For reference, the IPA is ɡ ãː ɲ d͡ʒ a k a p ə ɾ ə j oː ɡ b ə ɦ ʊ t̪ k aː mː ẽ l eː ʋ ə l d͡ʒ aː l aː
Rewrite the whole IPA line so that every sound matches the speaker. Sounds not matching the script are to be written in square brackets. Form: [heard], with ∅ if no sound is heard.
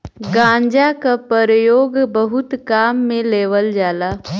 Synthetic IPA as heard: ɡ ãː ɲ d͡ʒ a k a p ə ɾ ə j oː ɡ b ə ɦ ʊ t̪ k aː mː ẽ l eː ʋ ə l d͡ʒ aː l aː